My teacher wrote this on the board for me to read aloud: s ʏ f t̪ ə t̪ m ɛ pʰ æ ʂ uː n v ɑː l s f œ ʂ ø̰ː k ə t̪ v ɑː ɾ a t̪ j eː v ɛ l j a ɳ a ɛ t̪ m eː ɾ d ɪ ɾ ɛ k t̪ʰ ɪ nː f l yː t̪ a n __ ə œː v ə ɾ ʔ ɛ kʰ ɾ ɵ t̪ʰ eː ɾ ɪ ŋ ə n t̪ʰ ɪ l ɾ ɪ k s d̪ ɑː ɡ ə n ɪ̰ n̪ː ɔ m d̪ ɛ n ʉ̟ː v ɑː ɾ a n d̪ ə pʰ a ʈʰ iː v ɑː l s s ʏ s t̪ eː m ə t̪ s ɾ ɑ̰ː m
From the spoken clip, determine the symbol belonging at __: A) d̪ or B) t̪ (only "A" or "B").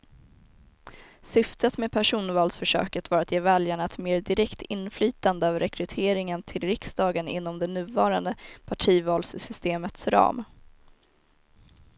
A